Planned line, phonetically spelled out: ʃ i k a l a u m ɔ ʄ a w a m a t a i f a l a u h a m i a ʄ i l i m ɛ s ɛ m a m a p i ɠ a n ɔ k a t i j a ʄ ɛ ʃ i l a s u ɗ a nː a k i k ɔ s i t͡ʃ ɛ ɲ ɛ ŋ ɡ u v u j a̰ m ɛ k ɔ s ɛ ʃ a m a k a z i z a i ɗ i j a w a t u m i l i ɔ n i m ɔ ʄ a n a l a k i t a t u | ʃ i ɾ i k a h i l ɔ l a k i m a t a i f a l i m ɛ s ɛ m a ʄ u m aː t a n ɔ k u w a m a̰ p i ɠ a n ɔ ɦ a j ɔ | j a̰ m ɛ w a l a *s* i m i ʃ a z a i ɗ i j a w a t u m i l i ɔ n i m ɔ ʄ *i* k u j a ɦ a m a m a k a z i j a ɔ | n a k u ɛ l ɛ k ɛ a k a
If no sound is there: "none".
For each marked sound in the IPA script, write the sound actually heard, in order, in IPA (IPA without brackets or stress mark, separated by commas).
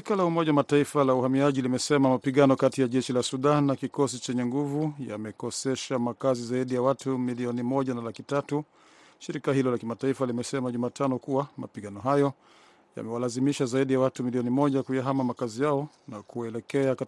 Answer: z, a